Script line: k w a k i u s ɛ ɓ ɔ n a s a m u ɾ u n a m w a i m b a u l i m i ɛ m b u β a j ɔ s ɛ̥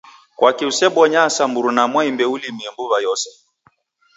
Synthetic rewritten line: k w a k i u s ɛ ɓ ɔ ɲ a s a m u ɾ u n a m w a i m b ɛ u l i m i ɛ m b u β a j ɔ s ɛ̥